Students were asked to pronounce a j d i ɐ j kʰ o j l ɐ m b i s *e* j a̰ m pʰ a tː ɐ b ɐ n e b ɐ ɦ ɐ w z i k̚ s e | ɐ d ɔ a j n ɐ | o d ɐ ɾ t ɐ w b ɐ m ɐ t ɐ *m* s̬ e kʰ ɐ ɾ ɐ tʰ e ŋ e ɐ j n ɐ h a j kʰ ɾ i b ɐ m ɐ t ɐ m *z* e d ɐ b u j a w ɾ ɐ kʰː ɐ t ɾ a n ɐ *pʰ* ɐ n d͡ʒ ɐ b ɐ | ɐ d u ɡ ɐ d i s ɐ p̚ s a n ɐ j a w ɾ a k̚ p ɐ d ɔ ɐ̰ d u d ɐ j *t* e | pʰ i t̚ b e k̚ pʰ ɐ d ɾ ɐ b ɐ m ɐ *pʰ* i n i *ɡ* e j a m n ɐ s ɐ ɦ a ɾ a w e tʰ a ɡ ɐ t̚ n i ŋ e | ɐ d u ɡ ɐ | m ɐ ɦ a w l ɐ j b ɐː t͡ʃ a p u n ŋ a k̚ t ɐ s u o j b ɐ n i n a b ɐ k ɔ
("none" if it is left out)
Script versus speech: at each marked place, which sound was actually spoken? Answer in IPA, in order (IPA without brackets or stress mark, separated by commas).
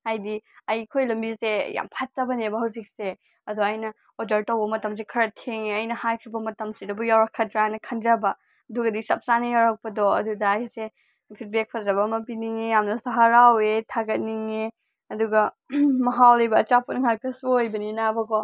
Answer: e, m, s, kʰ, s, p, ŋ